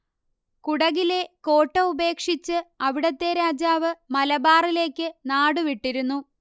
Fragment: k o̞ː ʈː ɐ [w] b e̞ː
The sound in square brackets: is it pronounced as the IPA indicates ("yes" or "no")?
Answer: no